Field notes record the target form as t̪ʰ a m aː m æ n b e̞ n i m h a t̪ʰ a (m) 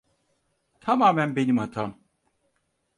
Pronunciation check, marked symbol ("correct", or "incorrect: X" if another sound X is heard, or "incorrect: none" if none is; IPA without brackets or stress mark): correct